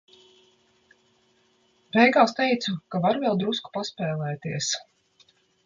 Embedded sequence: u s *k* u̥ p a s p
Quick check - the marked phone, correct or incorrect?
correct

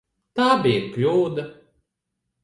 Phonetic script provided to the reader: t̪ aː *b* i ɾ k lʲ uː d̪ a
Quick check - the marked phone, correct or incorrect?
correct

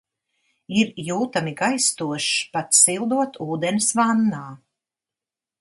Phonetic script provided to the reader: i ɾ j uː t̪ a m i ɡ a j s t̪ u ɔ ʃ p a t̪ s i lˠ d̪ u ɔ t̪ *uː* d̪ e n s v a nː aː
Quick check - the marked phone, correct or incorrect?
correct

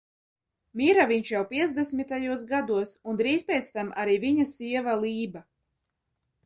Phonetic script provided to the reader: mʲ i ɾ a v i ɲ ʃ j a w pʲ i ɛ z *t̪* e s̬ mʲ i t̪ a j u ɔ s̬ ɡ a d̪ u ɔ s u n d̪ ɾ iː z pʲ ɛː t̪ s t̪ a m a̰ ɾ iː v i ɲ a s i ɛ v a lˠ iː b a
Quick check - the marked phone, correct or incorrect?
incorrect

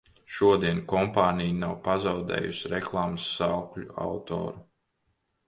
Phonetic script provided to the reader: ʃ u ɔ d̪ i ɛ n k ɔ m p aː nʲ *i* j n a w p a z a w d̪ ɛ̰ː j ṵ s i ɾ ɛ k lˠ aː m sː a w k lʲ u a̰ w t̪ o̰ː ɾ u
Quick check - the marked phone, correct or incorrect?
correct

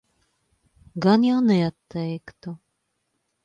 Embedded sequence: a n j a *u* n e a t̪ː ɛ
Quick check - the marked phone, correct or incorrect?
incorrect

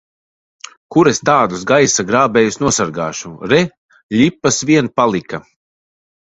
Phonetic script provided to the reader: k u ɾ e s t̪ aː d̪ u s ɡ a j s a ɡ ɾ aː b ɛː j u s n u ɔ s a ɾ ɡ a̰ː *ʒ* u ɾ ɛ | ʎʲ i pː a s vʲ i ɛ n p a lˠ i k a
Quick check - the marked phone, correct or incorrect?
incorrect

